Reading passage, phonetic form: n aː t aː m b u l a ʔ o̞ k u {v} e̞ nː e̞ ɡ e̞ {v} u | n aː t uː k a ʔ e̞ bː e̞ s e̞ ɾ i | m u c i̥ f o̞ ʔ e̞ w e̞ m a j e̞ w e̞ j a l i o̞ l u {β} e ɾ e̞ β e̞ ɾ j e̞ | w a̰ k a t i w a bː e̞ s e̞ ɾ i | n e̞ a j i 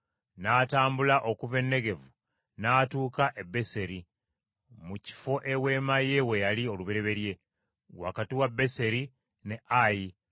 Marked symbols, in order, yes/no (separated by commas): yes, yes, yes